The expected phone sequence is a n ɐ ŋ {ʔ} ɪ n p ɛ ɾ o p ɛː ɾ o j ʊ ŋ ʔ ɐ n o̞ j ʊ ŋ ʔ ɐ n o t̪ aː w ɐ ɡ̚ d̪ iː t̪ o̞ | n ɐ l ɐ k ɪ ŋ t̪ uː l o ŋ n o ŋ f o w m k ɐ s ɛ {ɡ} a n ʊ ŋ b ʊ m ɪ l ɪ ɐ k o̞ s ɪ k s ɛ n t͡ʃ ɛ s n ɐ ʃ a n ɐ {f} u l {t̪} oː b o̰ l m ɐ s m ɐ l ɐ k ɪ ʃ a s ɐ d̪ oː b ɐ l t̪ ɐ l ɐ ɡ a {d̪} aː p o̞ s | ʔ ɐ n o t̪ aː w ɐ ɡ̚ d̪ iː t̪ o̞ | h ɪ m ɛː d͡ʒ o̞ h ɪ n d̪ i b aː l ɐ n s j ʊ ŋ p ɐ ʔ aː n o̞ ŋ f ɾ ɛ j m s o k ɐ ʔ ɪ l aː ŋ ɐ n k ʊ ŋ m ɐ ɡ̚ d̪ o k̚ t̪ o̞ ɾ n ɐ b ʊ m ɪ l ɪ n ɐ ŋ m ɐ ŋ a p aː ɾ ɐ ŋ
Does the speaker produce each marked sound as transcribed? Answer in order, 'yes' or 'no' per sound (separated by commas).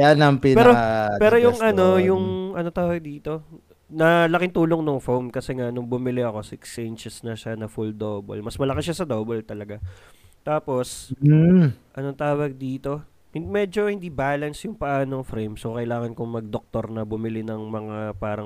no, no, yes, no, no